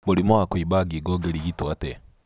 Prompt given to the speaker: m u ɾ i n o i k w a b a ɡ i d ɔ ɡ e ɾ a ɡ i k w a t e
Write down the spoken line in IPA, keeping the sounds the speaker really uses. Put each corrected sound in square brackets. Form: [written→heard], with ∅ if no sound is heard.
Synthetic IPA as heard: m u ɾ i [n→m] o [i→a] k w [a→i] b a ɡ i [d→ɡ] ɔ ɡ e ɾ [a→i] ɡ i [k→t] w a t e